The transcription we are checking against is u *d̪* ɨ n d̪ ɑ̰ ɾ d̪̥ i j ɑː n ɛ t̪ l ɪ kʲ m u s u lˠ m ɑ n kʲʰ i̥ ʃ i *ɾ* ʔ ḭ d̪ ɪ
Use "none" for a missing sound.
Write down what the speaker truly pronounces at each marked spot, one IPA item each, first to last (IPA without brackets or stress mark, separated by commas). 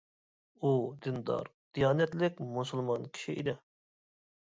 d̪, none